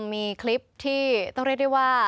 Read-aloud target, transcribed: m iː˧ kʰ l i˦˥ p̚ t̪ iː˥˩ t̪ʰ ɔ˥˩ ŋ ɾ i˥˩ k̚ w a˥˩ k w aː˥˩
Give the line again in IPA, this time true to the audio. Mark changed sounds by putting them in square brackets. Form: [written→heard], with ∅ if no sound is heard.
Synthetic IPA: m iː˧ kʰ l i˦˥ p̚ [t̪→t̪ʰ] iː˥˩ [t̪ʰ→t̪] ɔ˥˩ ŋ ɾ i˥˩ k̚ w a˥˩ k w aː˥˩